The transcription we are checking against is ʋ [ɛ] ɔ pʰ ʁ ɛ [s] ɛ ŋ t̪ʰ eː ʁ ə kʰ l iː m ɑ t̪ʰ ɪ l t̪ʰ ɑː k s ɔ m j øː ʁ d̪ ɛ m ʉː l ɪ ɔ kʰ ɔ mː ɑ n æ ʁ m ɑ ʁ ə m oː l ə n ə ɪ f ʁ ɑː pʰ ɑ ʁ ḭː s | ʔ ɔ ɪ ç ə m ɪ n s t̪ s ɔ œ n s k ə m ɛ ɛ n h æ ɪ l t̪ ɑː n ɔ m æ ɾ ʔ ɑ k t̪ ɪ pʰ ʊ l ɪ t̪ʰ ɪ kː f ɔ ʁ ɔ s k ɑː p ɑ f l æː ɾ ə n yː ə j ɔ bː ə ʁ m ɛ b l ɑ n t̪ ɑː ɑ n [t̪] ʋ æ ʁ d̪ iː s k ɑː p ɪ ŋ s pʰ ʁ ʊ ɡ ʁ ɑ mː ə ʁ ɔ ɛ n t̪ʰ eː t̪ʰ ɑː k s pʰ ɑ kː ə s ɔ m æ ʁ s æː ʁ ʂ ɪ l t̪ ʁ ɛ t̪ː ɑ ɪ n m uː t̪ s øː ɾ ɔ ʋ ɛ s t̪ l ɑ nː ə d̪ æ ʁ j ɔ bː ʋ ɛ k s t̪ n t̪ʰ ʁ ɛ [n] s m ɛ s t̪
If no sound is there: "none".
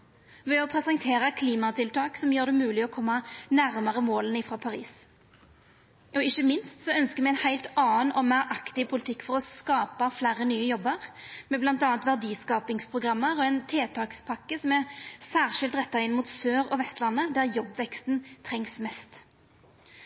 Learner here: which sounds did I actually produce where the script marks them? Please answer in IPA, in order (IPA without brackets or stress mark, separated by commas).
ɛ, s, t̪, ŋ